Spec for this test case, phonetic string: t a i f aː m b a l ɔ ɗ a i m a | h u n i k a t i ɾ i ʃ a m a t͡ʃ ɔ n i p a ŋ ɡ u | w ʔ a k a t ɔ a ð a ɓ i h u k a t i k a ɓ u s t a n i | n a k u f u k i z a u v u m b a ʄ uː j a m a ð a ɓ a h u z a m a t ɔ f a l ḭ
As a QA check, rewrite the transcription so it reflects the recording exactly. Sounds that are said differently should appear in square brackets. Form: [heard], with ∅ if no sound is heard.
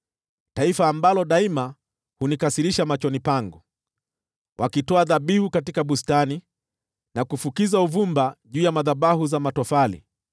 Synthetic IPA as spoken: t a i f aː m b a l ɔ ɗ a i m a | h u n i k a [s] i ɾ i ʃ a m a t͡ʃ ɔ n i p a ŋ ɡ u | w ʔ a k [i] t ɔ a ð a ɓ i h u k a t i k a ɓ u s t a n i | n a k u f u k i z a u v u m b a ʄ uː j a m a ð a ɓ a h u z a m a t ɔ f a l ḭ